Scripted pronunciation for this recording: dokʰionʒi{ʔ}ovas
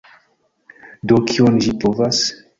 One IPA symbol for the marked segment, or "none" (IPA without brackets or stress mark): p